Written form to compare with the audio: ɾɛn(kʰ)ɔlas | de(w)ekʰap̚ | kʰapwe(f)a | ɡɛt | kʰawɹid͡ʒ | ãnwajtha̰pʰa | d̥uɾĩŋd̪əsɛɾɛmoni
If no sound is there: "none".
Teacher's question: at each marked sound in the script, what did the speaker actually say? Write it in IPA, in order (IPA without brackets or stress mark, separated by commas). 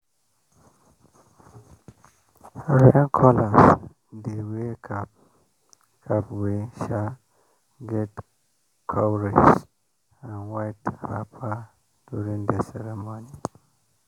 kʰ, w, ʃ